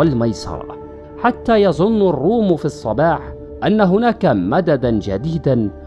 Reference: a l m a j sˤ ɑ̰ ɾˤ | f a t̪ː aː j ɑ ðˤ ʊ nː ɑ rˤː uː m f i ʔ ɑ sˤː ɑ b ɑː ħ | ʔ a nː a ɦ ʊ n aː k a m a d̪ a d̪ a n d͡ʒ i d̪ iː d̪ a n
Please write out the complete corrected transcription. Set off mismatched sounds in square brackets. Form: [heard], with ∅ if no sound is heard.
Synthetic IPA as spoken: a l m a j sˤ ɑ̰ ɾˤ | [ħ] a t̪ː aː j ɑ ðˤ ʊ nː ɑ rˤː uː m f i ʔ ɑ sˤː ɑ b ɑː ħ | ʔ a nː a ɦ ʊ n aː k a m a d̪ a d̪ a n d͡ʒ [a] d̪ iː d̪ a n